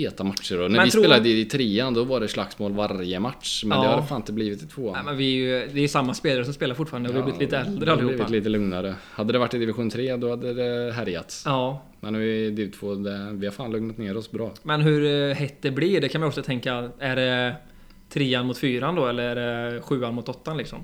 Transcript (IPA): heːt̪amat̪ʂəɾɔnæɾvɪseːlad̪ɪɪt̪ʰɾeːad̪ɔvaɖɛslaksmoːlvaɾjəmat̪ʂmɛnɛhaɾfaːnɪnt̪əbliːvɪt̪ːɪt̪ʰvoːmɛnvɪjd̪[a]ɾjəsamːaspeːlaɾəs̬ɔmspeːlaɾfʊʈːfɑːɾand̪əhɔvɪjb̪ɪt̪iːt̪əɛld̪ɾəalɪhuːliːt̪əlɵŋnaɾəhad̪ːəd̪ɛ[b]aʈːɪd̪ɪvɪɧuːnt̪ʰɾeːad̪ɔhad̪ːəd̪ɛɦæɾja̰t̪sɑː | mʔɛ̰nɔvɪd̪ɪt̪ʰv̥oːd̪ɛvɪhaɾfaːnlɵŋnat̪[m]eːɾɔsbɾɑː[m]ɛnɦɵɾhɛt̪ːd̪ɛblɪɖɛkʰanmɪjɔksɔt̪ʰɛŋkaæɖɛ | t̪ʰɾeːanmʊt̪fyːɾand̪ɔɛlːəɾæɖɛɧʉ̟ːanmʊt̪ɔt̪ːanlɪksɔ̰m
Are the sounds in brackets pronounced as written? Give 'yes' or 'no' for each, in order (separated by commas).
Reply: no, no, no, yes